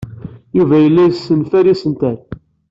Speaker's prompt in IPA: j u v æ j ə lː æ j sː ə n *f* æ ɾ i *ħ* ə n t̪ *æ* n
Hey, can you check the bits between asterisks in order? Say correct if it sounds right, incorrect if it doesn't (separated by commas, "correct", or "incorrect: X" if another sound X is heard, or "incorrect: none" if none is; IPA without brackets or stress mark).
correct, incorrect: s, correct